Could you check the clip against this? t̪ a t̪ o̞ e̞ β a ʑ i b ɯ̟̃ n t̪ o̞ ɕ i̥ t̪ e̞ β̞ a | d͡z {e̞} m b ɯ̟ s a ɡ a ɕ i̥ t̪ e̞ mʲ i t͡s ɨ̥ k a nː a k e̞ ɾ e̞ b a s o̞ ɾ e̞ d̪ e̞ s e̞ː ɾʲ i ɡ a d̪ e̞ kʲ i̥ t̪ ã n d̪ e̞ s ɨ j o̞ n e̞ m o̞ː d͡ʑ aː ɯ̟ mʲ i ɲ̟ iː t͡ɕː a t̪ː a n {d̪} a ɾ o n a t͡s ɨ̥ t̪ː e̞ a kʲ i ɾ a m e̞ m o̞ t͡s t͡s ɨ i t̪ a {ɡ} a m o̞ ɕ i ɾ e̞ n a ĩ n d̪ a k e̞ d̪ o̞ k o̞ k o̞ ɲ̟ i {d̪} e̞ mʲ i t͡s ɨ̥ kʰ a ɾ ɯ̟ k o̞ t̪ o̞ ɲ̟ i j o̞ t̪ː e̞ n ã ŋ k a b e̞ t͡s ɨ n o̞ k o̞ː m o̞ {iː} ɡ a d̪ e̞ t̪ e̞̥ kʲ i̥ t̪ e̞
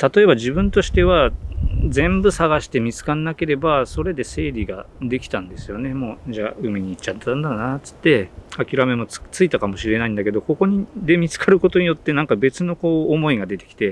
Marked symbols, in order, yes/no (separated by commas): no, yes, no, yes, no